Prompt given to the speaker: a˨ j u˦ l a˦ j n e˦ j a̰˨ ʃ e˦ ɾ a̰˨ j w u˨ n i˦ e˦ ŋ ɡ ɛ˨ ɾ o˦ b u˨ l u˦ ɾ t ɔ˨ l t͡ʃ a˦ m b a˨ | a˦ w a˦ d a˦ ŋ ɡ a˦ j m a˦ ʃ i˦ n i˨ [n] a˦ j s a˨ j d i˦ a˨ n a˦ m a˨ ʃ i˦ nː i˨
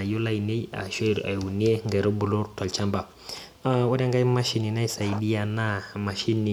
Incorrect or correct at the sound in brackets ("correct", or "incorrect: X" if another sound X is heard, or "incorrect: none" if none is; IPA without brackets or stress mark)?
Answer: correct